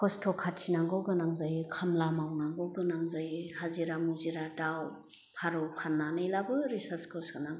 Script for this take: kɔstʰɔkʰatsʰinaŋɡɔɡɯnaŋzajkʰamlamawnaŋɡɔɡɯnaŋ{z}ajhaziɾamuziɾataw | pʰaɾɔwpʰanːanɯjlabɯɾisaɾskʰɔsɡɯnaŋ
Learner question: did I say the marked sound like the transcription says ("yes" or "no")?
yes